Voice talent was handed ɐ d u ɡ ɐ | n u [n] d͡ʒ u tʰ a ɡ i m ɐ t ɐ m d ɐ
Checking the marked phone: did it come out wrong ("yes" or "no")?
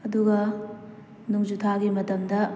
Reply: yes